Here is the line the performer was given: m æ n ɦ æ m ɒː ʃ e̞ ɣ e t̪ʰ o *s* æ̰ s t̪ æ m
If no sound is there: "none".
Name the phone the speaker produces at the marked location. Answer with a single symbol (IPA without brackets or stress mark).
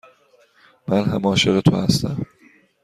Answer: h